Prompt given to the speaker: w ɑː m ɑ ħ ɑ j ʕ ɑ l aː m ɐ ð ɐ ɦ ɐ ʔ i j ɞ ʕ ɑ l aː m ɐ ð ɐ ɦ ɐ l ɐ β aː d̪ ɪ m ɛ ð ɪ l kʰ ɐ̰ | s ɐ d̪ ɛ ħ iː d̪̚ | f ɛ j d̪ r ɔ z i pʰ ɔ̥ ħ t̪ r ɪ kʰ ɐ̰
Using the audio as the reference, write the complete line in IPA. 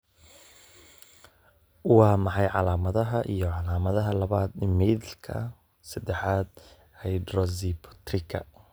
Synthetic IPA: w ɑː m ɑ ħ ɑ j ʕ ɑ l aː m ɐ ð ɐ ɦ ɐ ʔ i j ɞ ʕ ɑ l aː m ɐ ð ɐ ɦ ɐ l ɐ β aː d̪ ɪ m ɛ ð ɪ l kʰ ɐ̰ | s ɐ d̪ ɛ ħ aː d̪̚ | h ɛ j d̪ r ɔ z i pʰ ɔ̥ t̪ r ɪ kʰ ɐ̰

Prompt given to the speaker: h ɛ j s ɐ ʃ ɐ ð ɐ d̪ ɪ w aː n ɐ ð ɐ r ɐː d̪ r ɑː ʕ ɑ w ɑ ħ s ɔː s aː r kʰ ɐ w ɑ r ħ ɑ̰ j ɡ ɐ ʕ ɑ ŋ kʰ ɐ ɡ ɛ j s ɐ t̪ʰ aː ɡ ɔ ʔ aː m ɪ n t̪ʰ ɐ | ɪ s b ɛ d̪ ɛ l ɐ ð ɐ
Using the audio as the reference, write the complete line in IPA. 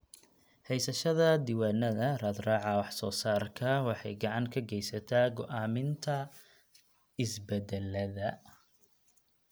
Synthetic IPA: h ɛ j s ɐ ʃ ɐ ð ɐ d̪ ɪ w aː n ɐ ð ɐ r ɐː d̪ r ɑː ʕ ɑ w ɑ ħ s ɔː s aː r kʰ ɐ w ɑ ħ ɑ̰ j ɡ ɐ ʕ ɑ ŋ kʰ ɐ ɡ ɛ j s ɐ t̪ʰ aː ɡ ɔ ʔ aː m ɪ n t̪ʰ ɐ | ɪ s b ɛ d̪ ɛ l ɐ ð ɐ

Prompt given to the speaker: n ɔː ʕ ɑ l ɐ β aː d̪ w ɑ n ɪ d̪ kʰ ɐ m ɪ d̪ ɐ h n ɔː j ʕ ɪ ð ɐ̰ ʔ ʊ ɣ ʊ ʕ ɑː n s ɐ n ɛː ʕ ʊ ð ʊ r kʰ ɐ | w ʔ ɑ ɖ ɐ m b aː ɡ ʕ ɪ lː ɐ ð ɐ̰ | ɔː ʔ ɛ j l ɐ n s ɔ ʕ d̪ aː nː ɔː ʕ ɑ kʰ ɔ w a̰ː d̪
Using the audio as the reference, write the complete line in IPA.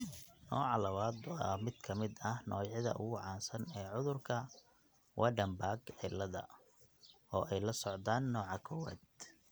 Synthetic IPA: n ɔː ʕ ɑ l ɐ β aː d̪ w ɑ m ɪ d̪ kʰ ɐ m ɪ d̪ ɐ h n ɔː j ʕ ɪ ð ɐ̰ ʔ ʊ ɣ ʊ ʕ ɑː n s ɐ n ɛː ʕ ʊ ð ʊ r kʰ ɐ | w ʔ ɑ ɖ ɐ m b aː ɡ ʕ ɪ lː ɐ ð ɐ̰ | ɔː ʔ ɛ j l ɐ s ɔ ʕ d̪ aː nː ɔː ʕ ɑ kʰ ɔ w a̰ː d̪

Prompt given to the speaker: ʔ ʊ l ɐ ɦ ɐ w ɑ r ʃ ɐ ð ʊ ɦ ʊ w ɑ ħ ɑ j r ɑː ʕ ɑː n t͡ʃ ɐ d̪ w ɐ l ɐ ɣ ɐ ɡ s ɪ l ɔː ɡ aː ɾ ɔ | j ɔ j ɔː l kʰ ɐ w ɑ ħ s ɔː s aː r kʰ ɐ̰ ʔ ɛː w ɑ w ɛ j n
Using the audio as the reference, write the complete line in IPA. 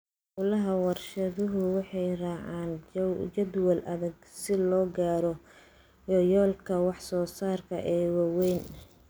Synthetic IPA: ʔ ʊ l ɐ ɦ ɐ w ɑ r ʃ ɐ ð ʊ ɦ ʊ w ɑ ħ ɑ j r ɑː ʕ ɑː n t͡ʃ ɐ d̪ w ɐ l ɐ ð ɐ ɡ s ɪ l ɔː ɡ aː ɾ ɔ | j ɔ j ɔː l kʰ ɐ w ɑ ħ s ɔː s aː r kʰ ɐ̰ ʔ ɛː w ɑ w ɛ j n

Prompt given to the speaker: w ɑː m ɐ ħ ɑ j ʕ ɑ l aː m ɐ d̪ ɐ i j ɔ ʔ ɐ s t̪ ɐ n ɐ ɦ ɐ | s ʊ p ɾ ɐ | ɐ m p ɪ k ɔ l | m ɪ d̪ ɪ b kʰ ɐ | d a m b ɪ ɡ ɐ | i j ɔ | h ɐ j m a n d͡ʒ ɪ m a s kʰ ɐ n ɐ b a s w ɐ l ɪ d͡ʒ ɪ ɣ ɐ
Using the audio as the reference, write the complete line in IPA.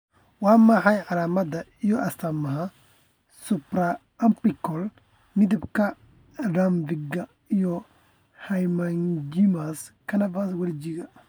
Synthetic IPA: w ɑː m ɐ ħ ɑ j ʕ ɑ l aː m ɐ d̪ ɐ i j ɔ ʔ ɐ s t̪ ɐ m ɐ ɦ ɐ | s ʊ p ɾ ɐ | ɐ m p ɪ k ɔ l | m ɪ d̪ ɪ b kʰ ɐ | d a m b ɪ ɡ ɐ | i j ɔ | h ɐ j m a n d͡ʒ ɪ m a s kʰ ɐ n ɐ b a s w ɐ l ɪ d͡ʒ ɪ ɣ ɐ

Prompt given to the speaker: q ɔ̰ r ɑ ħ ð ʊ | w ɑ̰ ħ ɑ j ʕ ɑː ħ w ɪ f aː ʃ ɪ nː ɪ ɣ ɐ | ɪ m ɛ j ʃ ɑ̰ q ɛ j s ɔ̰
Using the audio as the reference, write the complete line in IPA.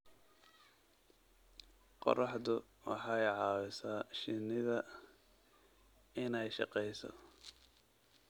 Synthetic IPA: q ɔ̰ r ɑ ħ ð ʊ | w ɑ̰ ħ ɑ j ʕ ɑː w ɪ s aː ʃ ɪ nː ɪ ð ɐ | ɪ n ɛ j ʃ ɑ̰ q ɛ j s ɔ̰

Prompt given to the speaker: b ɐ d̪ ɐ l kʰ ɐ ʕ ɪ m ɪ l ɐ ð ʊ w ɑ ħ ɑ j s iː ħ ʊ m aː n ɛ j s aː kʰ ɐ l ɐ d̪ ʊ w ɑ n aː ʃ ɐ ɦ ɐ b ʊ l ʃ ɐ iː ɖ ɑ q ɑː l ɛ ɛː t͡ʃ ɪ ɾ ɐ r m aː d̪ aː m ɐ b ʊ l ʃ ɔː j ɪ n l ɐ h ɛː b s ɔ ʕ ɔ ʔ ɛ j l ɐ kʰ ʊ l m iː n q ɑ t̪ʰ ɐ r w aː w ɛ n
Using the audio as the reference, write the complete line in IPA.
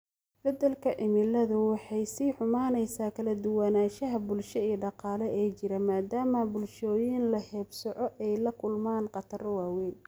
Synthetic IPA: b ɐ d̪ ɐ l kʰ ɐ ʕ ɪ m ɪ l ɐ ð ʊ w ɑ ħ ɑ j s iː ħ ʊ m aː n ɛ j s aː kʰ ɐ l ɐ d̪ ʊ w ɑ n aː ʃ ɐ ɦ ɐ b ʊ l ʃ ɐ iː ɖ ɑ q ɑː l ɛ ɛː t͡ʃ ɪ ɾ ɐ m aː d̪ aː m ɐ b ʊ l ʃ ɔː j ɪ n l ɐ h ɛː b s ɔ ʕ ɔ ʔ ɛ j l ɐ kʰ ʊ l m aː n q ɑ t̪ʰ ɐ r w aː w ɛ n

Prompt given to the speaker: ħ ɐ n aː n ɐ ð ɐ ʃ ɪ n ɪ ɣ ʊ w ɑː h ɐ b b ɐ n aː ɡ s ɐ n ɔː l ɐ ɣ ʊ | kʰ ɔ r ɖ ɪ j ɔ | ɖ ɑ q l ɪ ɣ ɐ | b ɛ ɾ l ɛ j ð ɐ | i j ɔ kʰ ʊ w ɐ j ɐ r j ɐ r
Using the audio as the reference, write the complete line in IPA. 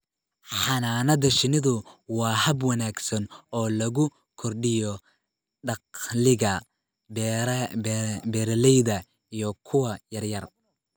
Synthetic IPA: ħ ɑ n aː n ɐ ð ɐ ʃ ɪ n ɪ ð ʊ w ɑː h ɐ b w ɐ n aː ɡ s ɐ n ɔː l ɐ ɣ ʊ | kʰ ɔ r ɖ ɪ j ɔ | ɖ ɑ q l ɪ ɣ ɐ | b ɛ ɾ l ɛ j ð ɐ | i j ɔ kʰ ʊ w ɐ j ɐ r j ɐ r

